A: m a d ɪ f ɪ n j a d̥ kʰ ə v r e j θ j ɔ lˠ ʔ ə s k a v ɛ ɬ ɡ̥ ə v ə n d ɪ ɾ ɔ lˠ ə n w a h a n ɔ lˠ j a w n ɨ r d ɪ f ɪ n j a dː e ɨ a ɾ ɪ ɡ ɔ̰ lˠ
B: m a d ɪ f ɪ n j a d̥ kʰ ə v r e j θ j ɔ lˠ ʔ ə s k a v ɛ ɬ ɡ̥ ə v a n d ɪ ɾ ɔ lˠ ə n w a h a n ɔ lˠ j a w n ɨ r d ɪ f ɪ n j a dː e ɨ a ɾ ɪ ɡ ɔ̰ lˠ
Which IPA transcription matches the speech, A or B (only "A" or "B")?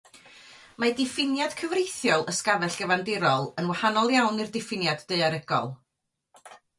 B